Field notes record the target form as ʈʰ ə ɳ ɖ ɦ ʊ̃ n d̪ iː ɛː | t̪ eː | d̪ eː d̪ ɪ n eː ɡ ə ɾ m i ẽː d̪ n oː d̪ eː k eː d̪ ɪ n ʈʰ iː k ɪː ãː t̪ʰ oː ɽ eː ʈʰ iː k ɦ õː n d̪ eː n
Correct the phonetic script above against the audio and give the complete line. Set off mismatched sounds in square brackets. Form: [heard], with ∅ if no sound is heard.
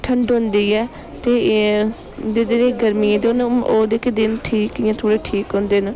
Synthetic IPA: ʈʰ ə ɳ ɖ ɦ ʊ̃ n d̪ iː ɛː | t̪ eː | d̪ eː d̪ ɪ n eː ɡ ə ɾ m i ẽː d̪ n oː d̪ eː k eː d̪ ɪ n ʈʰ iː k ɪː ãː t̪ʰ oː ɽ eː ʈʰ iː k ɦ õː n d̪ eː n